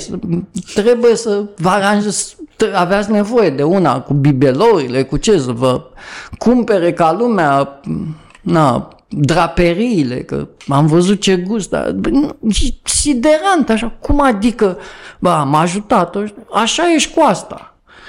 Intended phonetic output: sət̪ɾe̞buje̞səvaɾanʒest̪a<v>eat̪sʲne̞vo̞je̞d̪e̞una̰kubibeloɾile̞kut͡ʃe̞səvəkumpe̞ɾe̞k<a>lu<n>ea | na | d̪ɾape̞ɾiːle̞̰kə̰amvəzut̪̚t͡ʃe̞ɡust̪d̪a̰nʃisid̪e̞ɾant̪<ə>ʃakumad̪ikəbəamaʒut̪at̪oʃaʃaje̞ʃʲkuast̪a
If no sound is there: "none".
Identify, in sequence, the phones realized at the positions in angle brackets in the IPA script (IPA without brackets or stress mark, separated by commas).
v, a, m, a